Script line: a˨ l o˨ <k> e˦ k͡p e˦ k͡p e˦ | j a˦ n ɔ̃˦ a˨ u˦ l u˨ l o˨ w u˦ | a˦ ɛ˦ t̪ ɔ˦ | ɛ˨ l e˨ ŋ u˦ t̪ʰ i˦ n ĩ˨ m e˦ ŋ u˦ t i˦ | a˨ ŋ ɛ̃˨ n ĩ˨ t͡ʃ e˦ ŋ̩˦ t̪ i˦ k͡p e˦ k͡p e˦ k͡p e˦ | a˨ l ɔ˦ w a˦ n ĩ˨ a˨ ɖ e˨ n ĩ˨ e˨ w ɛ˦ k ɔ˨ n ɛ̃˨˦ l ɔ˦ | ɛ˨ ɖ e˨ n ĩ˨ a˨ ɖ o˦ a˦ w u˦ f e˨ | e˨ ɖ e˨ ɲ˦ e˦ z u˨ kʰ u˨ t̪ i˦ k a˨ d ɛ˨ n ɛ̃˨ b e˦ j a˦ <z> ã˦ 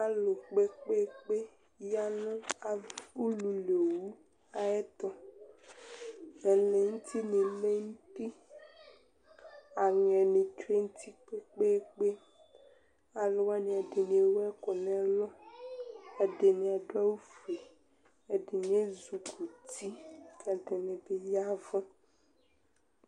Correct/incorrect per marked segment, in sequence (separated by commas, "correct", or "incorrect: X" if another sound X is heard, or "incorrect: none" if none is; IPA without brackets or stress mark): incorrect: k͡p, incorrect: v